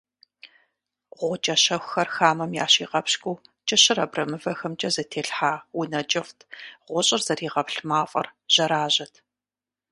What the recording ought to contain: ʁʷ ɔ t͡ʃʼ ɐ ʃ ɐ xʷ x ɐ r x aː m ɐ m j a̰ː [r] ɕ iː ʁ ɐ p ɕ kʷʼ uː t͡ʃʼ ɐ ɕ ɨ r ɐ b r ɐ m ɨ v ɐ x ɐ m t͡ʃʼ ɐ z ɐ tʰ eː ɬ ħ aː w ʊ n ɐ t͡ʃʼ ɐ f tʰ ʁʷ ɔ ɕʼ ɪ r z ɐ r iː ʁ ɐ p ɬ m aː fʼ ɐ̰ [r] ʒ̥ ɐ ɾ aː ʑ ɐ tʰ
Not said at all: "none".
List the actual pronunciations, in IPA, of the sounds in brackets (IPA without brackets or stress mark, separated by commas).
none, r